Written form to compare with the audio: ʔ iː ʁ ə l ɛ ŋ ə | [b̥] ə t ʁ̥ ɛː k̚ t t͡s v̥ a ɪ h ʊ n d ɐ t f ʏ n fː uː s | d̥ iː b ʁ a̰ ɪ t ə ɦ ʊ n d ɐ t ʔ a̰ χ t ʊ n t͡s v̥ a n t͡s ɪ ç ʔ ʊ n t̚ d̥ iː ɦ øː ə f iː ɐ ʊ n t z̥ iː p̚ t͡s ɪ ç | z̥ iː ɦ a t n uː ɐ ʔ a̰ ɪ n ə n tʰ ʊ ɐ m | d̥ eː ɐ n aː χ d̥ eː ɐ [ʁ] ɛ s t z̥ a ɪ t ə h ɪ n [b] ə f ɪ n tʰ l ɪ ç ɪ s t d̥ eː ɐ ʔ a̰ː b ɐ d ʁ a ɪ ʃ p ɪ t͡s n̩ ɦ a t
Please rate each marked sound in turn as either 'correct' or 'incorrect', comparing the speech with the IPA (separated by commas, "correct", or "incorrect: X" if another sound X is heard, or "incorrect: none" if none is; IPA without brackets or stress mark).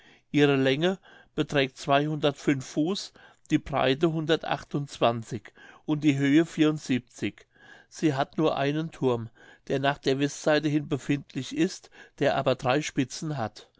correct, incorrect: v, correct